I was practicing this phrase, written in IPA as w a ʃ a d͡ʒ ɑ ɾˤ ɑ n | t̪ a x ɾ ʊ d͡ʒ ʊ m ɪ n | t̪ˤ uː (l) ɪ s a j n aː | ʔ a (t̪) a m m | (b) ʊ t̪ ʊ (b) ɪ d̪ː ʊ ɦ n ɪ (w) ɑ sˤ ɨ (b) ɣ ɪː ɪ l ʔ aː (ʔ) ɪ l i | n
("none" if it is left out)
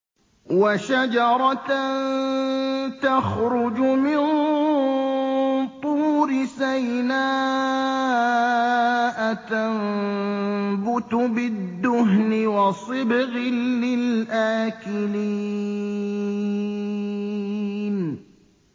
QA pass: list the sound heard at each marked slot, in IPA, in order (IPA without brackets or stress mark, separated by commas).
ɾ, t̪, b, b, w, b, k